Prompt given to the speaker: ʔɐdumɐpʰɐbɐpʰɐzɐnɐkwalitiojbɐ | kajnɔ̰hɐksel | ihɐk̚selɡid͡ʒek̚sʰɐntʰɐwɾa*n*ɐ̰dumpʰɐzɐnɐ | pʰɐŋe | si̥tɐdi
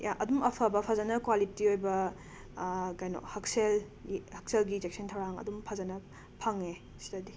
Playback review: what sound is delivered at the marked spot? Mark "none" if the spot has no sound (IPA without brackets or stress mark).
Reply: ŋ